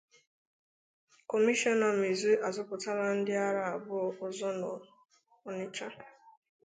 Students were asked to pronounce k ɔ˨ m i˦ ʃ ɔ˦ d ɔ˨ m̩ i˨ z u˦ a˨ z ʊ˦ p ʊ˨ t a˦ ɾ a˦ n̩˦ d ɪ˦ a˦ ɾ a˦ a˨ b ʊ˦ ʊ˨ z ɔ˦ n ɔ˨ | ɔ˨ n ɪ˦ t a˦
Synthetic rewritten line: k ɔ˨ m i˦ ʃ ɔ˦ n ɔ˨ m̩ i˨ z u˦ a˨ z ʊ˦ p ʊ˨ t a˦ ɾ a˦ n̩˦ d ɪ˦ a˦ ɾ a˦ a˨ b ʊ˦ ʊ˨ z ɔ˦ n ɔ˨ | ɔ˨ n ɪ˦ t͡ʃ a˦